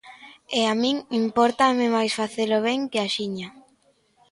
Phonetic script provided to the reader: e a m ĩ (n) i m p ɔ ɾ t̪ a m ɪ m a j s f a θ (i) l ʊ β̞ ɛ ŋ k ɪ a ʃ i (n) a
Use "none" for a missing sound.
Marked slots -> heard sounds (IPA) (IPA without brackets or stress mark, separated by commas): ŋ, e, ɲ